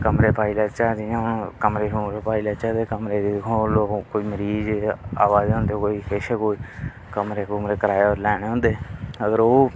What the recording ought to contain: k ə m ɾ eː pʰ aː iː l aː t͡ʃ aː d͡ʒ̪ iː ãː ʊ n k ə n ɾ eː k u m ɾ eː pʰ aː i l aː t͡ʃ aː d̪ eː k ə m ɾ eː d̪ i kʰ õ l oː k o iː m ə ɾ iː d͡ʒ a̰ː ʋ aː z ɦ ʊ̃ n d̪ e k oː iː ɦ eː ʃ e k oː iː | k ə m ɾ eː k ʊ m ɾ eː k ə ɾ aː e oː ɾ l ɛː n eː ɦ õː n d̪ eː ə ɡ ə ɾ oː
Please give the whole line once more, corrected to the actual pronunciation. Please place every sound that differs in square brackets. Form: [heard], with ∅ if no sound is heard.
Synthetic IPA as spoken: k ə m ɾ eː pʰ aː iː l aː t͡ʃ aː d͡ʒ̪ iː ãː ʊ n k ə [m] ɾ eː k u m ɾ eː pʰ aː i l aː t͡ʃ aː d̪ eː k ə m ɾ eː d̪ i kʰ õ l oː k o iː m ə ɾ iː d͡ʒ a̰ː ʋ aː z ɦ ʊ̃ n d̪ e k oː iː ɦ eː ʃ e k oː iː | k ə m ɾ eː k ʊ m ɾ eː k ə ɾ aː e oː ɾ l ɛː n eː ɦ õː n d̪ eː ə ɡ ə ɾ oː